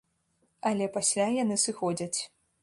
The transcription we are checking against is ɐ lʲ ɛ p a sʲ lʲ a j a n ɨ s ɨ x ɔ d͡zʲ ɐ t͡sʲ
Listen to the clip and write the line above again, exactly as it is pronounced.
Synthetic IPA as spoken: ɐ lʲ ɛ p a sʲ lʲ a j a n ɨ s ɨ x ɔ d͡zʲ ɐ t͡sʲ